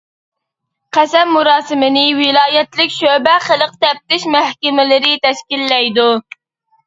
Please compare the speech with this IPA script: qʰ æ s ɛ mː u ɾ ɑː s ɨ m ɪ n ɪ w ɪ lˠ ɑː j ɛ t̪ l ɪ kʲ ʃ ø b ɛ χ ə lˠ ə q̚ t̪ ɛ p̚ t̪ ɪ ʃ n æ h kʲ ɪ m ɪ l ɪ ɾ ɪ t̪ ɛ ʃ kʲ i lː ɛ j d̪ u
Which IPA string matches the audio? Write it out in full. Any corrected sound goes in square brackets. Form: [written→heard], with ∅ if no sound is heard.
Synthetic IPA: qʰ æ s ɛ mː u ɾ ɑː s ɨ m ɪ n ɪ w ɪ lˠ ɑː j ɛ t̪ l ɪ kʲ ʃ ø b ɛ χ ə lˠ ə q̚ t̪ ɛ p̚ t̪ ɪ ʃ [n→m] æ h kʲ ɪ m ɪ l ɪ ɾ ɪ t̪ ɛ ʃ kʲ i lː ɛ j d̪ u

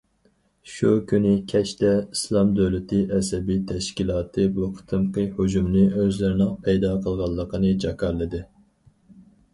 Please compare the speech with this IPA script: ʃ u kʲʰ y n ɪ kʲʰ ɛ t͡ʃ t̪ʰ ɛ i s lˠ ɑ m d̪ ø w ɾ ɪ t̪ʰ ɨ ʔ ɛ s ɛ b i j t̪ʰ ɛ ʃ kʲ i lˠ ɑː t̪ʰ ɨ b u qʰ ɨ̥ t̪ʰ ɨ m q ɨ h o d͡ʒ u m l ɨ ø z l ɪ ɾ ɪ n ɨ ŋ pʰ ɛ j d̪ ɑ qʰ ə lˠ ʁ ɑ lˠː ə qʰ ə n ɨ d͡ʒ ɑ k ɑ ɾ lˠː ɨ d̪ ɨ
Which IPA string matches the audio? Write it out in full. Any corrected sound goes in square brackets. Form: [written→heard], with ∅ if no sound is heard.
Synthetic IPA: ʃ u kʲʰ y n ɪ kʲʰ ɛ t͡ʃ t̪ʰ ɛ i s lˠ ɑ m d̪ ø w [ɾ→l] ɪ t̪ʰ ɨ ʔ ɛ s ɛ b i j t̪ʰ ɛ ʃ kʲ i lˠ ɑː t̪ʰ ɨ b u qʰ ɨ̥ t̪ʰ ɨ m q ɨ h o d͡ʒ u m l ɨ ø z l ɪ ɾ ɪ n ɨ ŋ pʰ ɛ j d̪ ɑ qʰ ə lˠ ʁ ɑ lˠː ə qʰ ə n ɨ d͡ʒ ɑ k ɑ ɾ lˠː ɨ d̪ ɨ

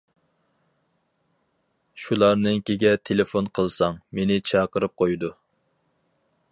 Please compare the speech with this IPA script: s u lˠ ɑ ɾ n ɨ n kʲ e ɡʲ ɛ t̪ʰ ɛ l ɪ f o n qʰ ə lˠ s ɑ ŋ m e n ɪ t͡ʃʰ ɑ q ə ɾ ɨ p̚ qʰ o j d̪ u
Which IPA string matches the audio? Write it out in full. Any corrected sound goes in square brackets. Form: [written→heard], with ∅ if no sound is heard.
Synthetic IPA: [s→ʃ] u lˠ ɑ ɾ n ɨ [n→ŋ] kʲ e ɡʲ ɛ t̪ʰ [ɛ→e] l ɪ f o n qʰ ə lˠ s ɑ ŋ m e n ɪ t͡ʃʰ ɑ q ə ɾ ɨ p̚ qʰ o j d̪ u

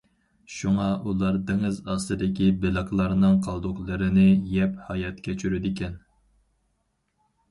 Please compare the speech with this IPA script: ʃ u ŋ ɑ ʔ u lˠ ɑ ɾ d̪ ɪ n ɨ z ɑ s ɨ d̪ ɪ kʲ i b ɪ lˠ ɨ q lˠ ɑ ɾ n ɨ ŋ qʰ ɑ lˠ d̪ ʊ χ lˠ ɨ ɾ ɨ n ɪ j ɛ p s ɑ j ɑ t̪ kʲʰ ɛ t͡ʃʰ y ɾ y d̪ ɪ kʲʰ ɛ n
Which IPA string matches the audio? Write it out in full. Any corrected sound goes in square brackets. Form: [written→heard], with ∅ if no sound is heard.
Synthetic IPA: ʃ u ŋ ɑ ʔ u lˠ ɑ ɾ d̪ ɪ [n→ŋ] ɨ z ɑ s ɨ d̪ ɪ kʲ i b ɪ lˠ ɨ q lˠ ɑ ɾ n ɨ ŋ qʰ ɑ lˠ d̪ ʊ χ lˠ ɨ ɾ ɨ n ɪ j ɛ p [s→h] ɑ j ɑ t̪ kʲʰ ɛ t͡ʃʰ y ɾ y d̪ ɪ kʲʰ ɛ n

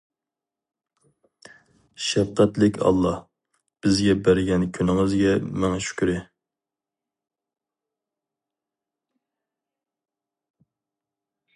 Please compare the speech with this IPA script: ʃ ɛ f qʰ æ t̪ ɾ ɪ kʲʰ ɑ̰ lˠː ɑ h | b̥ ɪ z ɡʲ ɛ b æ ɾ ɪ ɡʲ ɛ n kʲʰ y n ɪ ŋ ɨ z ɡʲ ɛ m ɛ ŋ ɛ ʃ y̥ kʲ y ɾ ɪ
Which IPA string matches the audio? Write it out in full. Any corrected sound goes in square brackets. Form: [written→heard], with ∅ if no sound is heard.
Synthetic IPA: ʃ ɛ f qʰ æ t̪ [ɾ→l] ɪ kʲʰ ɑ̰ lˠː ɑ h | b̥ ɪ z ɡʲ ɛ b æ ɾ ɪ ɡʲ ɛ n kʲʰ y n ɪ ŋ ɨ z ɡʲ ɛ m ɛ ŋ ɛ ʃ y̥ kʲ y ɾ ɪ

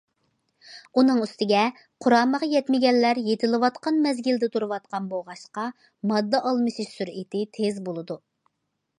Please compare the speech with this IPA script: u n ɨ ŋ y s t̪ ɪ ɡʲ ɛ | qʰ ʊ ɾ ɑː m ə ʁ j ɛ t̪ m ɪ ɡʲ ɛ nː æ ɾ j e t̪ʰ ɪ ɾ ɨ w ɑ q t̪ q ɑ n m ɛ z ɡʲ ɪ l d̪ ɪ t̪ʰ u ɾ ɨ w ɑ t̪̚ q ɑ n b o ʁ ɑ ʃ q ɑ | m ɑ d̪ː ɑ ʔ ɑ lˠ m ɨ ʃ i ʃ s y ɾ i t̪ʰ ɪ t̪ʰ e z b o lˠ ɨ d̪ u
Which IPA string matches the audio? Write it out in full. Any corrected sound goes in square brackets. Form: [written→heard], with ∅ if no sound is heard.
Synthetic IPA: u n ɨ ŋ y s t̪ ɪ ɡʲ ɛ | qʰ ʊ ɾ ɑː m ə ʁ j ɛ t̪ m ɪ ɡʲ ɛ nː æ ɾ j e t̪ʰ ɪ [ɾ→l] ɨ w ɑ [q→∅] t̪ q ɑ n m ɛ z ɡʲ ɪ l d̪ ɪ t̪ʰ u ɾ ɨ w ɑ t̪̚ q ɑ n b o ʁ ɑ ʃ q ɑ | m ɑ d̪ː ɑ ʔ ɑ lˠ m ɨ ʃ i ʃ s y ɾ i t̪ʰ ɪ t̪ʰ e z b o lˠ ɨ d̪ u

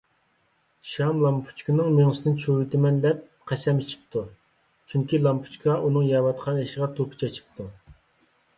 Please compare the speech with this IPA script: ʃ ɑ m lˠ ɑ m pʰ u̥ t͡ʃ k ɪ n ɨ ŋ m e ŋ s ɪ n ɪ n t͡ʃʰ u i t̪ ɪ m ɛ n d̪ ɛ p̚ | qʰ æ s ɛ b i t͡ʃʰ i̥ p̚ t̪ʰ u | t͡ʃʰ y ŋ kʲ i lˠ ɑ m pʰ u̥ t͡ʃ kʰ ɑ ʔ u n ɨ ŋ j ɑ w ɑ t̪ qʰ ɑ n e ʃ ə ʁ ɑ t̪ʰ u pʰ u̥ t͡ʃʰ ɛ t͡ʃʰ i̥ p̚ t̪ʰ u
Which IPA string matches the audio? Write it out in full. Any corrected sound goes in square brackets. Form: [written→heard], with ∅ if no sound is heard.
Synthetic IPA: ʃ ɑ m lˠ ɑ m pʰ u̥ t͡ʃ k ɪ n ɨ ŋ m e ŋ s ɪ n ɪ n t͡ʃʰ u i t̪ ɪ m ɛ n d̪ ɛ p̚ | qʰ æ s ɛ [b→m] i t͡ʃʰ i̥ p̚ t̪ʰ u | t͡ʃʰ y ŋ kʲ i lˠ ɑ m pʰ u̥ t͡ʃ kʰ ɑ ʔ u n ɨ ŋ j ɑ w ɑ t̪ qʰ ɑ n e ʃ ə ʁ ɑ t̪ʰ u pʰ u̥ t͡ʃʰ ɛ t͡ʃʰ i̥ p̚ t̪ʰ u

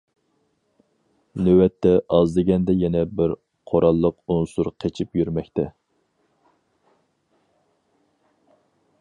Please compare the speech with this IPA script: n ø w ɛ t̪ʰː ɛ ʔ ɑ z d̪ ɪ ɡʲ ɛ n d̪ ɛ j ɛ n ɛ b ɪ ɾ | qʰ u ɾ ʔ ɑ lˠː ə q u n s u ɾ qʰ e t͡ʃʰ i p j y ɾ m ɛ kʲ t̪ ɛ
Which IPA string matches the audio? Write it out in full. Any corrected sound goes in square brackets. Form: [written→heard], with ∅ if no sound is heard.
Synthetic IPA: n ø w ɛ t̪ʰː ɛ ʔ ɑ z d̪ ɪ ɡʲ ɛ n d̪ ɛ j ɛ n ɛ b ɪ ɾ | qʰ [u→o] ɾ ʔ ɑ lˠː ə q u n s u ɾ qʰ e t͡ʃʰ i p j y ɾ m ɛ kʲ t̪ ɛ

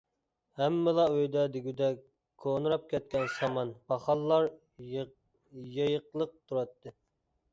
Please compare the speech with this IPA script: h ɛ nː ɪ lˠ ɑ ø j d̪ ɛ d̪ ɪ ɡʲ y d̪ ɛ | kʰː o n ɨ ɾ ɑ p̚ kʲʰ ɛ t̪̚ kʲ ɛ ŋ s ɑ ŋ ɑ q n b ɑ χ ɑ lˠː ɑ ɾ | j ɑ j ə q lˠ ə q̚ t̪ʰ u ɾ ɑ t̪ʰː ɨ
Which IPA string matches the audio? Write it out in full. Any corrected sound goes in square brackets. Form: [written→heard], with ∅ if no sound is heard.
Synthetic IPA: h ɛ [nː→mː] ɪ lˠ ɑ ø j d̪ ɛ d̪ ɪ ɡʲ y d̪ ɛ | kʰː o n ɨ ɾ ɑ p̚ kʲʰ ɛ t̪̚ kʲ ɛ [ŋ→n] s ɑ [ŋ→m] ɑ [q→∅] n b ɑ χ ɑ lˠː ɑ ɾ | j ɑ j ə q lˠ ə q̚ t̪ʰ u ɾ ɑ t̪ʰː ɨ

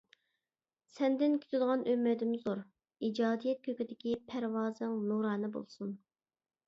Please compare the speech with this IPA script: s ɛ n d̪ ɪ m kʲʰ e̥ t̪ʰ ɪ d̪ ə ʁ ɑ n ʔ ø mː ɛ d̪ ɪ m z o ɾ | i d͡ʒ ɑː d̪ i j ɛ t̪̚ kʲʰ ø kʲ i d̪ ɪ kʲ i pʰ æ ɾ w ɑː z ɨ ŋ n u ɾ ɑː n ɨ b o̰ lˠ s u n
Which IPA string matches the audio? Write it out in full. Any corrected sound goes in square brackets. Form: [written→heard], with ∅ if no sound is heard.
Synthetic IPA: s ɛ n d̪ ɪ [m→n] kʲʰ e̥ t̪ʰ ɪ d̪ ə ʁ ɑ n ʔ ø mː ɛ d̪ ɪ m z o ɾ | i d͡ʒ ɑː d̪ i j ɛ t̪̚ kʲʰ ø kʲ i d̪ ɪ kʲ i pʰ æ ɾ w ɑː z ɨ ŋ n u ɾ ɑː n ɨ b o̰ lˠ s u n

